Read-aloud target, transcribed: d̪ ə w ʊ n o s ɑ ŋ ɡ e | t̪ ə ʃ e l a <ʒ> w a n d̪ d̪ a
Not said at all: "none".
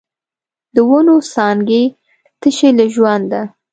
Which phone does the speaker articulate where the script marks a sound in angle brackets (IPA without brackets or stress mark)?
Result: ʒ